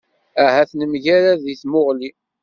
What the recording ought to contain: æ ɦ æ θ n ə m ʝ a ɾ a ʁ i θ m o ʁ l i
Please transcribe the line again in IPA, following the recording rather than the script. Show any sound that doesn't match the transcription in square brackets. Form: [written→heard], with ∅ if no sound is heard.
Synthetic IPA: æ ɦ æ θ n ə m ʝ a ɾ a [ʁ→ð] i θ m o ʁ l i

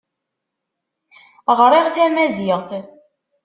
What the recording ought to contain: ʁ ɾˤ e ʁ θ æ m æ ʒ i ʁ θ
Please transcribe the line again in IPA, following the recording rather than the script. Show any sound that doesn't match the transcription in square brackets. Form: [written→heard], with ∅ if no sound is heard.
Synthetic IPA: ʁ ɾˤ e ʁ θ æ m æ [ʒ→z] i ʁ θ

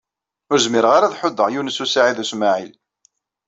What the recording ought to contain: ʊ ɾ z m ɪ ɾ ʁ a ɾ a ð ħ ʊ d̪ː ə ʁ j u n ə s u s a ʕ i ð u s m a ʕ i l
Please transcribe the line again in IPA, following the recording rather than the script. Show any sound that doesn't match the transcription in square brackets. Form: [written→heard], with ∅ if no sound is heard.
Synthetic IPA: ʊ ɾ z m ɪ ɾ ʁ a ɾ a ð ħ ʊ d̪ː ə ʁ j u n ə s u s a ʕ i ð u s m a ʕ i l

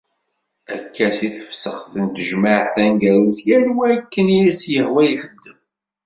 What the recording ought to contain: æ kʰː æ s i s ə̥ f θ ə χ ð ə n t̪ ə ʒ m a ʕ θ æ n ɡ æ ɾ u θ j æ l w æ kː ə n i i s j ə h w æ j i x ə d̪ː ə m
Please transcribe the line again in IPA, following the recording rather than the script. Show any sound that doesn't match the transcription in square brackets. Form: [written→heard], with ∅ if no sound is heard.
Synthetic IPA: æ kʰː æ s i [s→θ] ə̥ f [θ→s] ə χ [ð→θ] ə n t̪ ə ʒ m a ʕ θ æ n ɡ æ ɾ u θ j æ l w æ kː ə n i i s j ə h w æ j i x ə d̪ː ə m

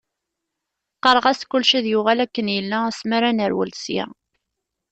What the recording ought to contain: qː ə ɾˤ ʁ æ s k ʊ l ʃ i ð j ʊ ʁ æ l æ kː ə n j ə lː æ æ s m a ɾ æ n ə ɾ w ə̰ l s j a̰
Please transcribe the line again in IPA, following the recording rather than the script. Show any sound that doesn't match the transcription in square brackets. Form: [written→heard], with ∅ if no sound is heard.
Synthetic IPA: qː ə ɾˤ ʁ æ s k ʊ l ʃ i ð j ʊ ʁ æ l æ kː ə n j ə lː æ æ s m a ɾ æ n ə ɾ w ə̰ l s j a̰

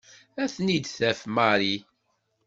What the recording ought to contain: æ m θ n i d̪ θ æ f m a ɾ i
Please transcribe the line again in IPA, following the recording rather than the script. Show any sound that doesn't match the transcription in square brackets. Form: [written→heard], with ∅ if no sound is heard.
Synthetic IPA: æ [m→∅] θ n i d̪ θ æ f m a ɾ i

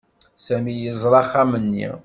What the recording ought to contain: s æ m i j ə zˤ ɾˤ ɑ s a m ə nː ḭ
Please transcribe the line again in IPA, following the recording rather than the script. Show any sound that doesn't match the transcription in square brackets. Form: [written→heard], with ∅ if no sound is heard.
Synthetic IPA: s æ m i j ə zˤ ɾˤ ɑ [s→χ] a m ə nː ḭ

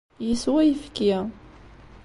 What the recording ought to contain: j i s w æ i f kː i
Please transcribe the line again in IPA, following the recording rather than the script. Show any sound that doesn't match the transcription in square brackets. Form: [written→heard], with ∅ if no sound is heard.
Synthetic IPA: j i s w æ [i→j] f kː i

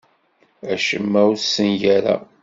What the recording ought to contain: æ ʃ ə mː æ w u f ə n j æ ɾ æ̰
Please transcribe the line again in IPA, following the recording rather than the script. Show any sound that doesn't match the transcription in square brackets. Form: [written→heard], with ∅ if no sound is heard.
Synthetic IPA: æ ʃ ə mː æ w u [f→s] ə n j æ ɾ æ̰

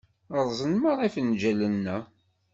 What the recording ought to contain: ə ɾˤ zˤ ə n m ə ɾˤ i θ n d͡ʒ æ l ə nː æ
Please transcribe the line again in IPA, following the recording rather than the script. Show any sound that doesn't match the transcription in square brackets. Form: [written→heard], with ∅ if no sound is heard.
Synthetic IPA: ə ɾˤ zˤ ə n m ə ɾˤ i [θ→f] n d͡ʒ æ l ə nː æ

